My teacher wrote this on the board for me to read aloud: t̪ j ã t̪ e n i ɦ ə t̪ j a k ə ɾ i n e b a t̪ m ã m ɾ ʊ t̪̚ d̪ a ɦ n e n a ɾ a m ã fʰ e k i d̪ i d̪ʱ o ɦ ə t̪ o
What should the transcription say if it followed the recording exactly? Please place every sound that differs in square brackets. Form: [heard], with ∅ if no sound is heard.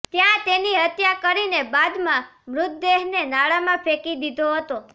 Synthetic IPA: t̪ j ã t̪ e n i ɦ ə t̪ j a k ə ɾ i n e b a [d̪] m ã m ɾ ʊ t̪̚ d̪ [e] ɦ n e n a [ɭ] a m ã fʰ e k i d̪ i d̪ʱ o ɦ ə t̪ o